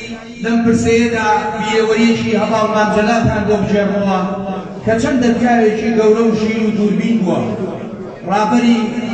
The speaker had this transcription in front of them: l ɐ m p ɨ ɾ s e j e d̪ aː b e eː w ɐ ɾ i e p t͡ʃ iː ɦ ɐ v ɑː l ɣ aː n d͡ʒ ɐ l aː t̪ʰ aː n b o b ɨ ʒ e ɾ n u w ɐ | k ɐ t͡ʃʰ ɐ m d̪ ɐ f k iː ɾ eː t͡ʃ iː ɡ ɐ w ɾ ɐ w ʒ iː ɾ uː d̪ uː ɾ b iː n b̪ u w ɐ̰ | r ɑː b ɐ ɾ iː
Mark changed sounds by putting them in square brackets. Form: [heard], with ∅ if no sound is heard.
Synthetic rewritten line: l ɐ m p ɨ ɾ s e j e d̪ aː b [i] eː w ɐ ɾ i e [∅] t͡ʃ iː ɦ ɐ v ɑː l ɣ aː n d͡ʒ ɐ l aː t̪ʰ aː n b o b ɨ ʒ e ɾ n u w ɐ | k ɐ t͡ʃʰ ɐ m d̪ ɐ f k [aː] ɾ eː t͡ʃ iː ɡ ɐ w ɾ ɐ w ʒ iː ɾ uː d̪ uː ɾ b iː n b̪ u w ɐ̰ | r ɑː b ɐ ɾ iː